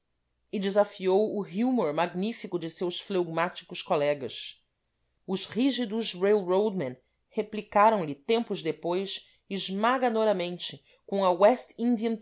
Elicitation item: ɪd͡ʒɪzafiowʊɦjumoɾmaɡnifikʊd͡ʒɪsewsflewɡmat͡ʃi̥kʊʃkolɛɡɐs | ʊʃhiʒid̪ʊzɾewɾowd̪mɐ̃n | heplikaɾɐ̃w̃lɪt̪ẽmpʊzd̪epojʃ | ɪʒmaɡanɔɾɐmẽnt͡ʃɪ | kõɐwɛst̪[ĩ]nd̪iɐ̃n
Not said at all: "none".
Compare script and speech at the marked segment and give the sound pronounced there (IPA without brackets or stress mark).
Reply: ĩ